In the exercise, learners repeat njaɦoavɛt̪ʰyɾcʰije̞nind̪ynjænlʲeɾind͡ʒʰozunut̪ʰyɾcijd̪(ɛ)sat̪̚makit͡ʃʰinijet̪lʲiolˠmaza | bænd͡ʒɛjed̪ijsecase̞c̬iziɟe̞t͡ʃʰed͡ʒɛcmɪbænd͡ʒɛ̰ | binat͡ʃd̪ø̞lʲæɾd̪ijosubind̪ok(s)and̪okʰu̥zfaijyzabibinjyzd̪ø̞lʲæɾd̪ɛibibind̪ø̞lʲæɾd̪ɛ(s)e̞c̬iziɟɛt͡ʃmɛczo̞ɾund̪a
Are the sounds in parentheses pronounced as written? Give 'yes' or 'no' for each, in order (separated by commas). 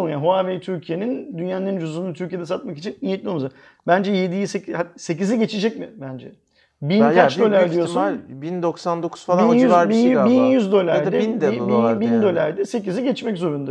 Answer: yes, yes, yes